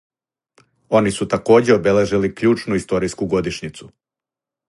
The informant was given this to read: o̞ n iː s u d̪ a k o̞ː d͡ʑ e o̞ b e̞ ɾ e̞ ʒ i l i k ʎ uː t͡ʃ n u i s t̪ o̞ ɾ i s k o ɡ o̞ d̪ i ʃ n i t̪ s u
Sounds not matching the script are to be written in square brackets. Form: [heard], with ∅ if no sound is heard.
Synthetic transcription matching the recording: o̞ n [i] s u [t̪] a k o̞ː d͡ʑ e o̞ b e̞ [l] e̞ ʒ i l i k ʎ uː t͡ʃ n u i s t̪ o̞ ɾ i s k [u] ɡ o̞ d̪ i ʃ [ɲ] i t̪ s u

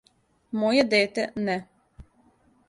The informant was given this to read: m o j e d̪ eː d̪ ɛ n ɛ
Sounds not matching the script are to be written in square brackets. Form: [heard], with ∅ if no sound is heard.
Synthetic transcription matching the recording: m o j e d̪ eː [t̪] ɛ n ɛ

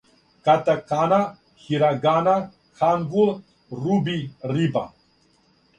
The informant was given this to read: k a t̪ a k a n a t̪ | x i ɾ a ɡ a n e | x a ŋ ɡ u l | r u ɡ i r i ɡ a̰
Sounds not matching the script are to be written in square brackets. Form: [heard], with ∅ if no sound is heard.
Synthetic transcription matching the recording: k a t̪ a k a n a [∅] | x i ɾ a ɡ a n [a] | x a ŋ ɡ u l | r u [b] i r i [b] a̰

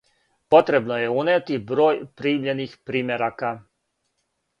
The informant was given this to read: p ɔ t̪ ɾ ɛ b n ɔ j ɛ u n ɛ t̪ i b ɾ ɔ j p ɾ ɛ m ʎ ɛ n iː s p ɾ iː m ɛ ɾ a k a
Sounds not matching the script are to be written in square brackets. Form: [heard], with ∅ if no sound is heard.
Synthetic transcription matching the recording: p ɔ t̪ ɾ ɛ b n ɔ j ɛ u n ɛ t̪ i b ɾ ɔ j p ɾ [i] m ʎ ɛ n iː [x] p ɾ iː m ɛ ɾ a k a

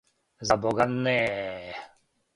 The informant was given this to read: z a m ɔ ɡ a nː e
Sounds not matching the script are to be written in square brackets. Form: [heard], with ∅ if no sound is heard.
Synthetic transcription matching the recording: z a [b] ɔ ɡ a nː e

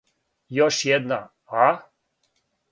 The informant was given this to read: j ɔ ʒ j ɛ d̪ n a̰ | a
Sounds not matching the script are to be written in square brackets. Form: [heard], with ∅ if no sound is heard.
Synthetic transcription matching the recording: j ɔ [ʃ] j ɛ d̪ n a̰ | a

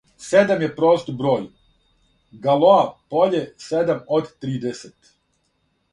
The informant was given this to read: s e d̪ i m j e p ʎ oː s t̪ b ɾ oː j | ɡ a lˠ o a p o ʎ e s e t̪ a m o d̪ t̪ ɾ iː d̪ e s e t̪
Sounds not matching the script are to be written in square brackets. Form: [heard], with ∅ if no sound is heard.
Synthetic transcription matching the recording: s e d̪ [a] m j e p [ɾ] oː s t̪ b ɾ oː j | ɡ a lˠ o a p o ʎ e s e [d̪] a m o d̪ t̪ ɾ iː d̪ e s e t̪

